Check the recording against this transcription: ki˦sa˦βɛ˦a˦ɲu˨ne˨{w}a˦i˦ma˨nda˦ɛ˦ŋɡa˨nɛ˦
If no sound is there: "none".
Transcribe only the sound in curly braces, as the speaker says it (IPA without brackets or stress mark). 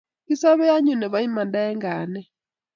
β